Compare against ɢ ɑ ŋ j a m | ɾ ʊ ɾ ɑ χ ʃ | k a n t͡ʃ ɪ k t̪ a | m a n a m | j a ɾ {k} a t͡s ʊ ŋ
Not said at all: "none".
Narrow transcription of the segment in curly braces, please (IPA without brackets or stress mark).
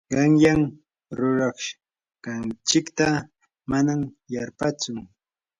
p